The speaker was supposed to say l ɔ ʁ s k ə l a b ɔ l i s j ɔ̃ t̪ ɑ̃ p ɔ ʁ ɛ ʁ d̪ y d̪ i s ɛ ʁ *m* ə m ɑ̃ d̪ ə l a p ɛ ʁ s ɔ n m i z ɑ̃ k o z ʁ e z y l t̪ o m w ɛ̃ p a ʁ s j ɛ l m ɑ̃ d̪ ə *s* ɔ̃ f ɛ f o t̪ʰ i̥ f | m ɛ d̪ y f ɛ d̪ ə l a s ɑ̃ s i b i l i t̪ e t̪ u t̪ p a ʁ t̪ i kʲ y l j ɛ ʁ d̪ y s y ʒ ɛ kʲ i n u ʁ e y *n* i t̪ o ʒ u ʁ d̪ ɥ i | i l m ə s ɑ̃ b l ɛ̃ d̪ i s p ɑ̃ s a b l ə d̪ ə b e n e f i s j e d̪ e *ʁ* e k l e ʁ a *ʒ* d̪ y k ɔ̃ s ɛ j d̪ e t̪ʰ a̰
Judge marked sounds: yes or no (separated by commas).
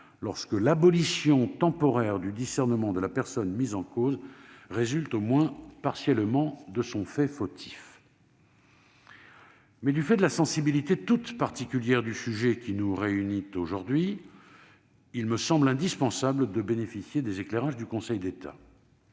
no, yes, yes, no, yes